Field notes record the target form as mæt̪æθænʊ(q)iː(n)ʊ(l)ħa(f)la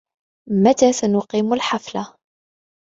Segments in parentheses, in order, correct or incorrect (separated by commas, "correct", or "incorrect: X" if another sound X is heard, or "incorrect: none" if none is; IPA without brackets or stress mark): correct, incorrect: m, correct, correct